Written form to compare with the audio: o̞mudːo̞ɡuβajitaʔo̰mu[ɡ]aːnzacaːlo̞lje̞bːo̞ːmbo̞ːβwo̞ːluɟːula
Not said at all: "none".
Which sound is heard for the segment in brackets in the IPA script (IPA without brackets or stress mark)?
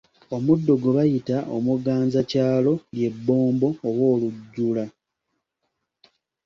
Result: ɡ